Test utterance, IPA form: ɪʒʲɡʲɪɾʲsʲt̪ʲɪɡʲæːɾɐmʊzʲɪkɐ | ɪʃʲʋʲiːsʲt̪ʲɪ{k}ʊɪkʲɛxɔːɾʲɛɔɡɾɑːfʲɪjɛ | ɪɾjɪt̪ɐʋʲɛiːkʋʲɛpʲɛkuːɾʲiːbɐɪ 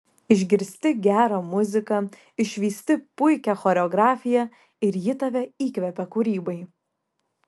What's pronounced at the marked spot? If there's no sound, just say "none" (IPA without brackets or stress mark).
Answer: p